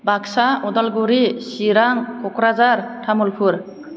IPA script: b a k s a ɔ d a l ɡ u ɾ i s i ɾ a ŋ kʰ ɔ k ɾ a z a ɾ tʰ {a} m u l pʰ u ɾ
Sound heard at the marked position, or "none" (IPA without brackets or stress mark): a